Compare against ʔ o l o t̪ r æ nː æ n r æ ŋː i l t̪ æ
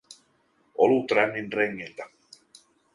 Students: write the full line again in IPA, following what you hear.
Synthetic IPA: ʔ o l u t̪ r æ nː i n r e ŋː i l t̪ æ